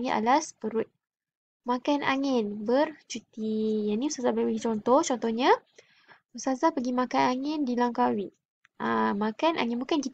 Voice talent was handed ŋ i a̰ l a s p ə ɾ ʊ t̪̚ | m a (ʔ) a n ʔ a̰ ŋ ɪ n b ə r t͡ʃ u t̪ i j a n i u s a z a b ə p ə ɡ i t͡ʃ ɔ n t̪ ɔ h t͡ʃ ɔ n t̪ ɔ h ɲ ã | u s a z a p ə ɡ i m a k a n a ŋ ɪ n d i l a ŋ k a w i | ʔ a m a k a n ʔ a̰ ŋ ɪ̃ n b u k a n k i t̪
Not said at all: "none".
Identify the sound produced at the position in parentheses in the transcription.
k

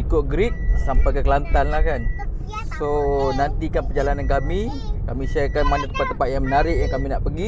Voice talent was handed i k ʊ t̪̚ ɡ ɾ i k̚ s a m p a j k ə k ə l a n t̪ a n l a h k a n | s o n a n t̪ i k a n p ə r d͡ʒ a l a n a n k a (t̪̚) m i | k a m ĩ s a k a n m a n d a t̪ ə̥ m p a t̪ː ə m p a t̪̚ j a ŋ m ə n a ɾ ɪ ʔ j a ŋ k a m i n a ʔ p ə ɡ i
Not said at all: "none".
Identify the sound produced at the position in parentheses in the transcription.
none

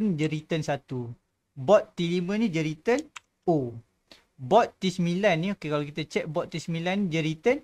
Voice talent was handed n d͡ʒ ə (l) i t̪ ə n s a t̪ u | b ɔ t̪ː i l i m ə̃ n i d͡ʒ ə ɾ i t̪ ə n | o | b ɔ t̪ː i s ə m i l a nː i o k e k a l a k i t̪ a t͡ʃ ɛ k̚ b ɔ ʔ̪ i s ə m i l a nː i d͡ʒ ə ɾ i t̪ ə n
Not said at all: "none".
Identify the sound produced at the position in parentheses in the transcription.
ɾ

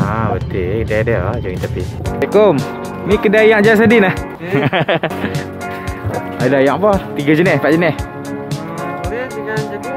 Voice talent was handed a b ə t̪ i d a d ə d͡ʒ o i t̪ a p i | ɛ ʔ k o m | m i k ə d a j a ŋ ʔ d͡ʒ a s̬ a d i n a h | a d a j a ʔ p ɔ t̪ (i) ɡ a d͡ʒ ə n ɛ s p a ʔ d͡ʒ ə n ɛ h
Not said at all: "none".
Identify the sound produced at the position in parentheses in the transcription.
i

